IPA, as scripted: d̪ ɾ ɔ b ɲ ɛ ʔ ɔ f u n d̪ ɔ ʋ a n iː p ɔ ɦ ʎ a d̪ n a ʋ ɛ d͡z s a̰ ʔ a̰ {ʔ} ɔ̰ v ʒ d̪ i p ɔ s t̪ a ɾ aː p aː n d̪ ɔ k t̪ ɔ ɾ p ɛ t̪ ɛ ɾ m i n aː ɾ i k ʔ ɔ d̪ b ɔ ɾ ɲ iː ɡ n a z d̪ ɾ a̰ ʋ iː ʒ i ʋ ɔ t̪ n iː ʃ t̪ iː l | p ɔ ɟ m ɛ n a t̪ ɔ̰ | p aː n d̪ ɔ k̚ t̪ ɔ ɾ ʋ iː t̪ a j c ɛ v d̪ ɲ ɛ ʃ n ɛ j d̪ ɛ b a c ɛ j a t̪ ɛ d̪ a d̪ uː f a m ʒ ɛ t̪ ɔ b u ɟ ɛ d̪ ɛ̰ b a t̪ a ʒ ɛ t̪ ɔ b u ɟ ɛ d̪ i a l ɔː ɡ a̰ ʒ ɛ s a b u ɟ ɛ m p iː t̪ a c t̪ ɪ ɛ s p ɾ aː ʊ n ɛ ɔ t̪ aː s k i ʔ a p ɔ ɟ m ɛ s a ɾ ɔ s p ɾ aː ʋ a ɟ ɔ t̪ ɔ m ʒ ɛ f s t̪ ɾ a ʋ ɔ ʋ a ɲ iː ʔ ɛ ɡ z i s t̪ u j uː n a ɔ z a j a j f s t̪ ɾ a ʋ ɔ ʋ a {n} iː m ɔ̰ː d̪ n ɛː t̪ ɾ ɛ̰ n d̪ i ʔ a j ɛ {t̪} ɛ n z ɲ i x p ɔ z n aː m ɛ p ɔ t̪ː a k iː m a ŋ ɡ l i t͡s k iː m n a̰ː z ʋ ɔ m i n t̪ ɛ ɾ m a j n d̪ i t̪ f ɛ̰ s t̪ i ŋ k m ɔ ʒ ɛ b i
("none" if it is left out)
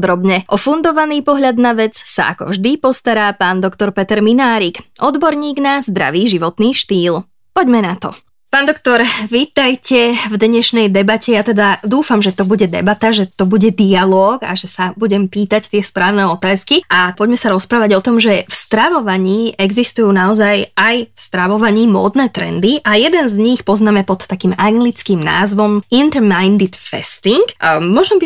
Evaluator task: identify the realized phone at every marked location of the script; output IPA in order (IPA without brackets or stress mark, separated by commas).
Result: k, ɲ, d̪